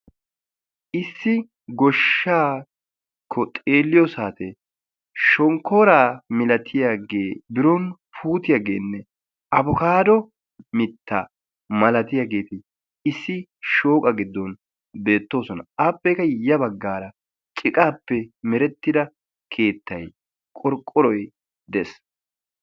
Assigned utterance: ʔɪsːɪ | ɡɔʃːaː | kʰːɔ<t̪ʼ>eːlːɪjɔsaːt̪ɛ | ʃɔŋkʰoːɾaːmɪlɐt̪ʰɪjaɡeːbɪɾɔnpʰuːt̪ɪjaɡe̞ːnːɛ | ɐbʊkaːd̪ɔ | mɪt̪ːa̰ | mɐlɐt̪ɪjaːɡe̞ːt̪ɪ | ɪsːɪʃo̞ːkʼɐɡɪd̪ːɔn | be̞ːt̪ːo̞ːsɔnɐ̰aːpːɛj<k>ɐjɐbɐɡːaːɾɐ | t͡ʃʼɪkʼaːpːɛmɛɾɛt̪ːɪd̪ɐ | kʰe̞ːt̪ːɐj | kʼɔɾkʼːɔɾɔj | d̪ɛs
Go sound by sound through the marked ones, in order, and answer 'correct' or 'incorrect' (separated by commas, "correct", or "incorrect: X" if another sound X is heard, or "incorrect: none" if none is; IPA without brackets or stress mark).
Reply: correct, correct